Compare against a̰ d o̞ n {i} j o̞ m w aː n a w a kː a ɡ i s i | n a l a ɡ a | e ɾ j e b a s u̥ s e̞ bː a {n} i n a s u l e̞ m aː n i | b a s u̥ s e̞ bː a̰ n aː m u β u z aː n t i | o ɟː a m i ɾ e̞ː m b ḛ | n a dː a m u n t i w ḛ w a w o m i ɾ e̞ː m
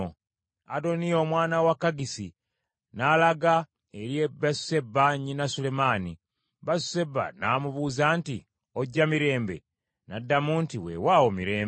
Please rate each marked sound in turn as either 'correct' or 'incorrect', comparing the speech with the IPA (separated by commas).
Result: correct, incorrect